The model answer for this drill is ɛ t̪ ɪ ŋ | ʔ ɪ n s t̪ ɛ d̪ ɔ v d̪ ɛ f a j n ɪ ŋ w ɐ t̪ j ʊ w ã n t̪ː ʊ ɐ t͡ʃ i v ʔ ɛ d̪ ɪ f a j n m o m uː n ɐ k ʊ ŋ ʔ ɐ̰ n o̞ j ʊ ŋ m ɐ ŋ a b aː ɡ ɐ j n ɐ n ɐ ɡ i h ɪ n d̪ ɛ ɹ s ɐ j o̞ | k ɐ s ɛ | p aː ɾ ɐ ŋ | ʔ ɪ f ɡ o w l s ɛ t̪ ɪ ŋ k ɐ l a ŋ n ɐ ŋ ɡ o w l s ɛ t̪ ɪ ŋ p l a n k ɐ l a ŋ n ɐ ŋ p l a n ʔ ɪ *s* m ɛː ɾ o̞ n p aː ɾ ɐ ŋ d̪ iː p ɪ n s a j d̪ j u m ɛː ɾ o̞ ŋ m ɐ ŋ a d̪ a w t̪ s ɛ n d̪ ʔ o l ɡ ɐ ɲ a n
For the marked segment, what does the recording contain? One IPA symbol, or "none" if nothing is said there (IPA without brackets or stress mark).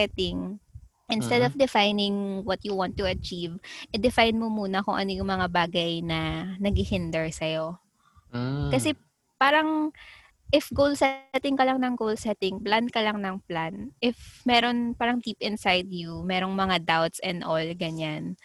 f